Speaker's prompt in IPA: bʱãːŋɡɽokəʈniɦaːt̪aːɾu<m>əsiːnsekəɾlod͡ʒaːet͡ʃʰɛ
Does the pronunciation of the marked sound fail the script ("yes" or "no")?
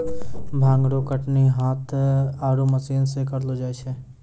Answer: no